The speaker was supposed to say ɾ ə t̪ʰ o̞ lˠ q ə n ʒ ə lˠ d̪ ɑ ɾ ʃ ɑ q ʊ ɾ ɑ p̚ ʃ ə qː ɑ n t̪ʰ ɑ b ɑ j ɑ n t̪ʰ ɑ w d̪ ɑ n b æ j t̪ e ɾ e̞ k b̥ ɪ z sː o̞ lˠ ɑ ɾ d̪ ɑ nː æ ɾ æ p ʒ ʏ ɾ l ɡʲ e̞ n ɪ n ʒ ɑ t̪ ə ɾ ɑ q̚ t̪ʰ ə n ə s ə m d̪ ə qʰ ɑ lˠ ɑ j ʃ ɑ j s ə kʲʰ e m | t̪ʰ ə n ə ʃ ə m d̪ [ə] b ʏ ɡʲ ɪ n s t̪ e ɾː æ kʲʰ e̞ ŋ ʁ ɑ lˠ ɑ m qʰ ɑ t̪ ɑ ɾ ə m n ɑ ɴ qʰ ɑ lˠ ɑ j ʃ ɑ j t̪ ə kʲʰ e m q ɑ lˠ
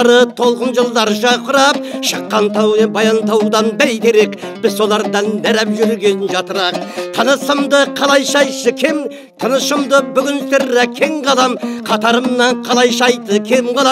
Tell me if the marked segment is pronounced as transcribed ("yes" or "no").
yes